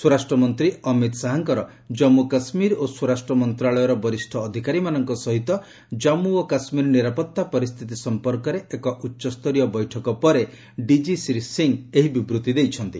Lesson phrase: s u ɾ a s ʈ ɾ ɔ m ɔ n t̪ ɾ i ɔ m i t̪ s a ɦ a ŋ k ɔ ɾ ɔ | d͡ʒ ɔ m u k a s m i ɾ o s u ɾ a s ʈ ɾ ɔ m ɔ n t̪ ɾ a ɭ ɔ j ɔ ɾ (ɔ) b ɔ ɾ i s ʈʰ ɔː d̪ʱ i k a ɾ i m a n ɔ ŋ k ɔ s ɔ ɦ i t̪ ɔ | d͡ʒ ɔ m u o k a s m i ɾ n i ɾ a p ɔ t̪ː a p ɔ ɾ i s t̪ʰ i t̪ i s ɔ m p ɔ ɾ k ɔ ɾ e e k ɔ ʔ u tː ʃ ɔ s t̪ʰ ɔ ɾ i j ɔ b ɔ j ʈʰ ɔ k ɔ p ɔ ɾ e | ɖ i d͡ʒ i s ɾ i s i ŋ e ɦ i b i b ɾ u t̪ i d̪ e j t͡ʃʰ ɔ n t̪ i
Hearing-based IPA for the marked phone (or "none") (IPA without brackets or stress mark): ɔ